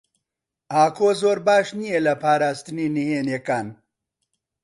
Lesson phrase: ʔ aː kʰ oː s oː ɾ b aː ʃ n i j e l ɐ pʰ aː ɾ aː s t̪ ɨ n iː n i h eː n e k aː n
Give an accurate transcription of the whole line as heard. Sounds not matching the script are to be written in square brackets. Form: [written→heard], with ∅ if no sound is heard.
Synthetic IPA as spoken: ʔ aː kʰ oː [s→z] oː ɾ b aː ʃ n i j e l ɐ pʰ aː ɾ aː s t̪ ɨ n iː n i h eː n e k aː n